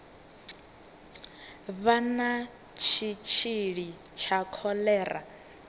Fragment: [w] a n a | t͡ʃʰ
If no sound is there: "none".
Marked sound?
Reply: β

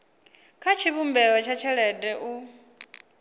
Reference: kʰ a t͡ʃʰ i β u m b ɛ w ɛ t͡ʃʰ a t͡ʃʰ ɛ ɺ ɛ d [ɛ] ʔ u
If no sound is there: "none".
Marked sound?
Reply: ɛ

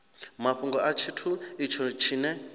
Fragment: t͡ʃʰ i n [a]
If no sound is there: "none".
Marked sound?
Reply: ɛ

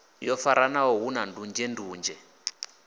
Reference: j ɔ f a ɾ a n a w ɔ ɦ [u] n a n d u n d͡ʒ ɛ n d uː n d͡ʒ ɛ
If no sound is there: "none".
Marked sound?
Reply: u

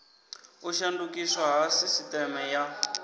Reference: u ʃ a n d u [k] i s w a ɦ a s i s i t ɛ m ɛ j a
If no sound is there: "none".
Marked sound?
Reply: k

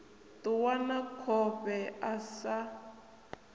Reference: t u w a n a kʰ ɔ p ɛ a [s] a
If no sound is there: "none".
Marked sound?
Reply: s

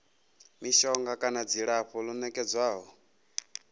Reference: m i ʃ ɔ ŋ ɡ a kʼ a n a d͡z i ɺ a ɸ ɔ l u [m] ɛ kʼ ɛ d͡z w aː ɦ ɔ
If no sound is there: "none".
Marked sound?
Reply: n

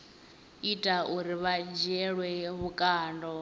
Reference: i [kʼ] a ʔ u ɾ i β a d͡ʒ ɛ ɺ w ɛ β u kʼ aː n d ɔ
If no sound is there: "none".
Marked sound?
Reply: tʼ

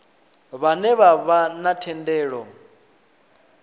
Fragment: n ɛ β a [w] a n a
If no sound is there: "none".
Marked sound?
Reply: β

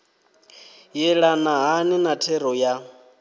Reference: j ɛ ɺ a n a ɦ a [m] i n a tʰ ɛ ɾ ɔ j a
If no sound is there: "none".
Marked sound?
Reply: n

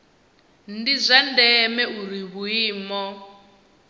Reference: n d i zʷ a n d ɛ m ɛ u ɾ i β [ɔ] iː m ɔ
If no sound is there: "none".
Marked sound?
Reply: u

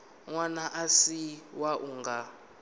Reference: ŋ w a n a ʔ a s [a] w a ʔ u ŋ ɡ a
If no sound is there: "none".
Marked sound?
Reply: i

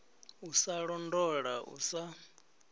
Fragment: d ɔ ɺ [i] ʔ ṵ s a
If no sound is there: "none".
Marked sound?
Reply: a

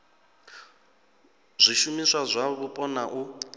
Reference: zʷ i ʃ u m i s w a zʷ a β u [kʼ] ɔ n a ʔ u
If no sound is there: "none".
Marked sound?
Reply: pʼ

